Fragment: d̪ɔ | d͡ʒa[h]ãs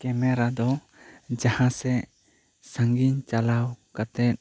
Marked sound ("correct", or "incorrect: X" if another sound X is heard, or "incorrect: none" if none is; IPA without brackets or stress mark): correct